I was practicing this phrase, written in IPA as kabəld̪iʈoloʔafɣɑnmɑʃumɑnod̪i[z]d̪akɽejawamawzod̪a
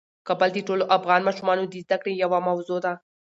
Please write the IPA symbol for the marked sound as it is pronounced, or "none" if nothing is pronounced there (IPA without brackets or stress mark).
z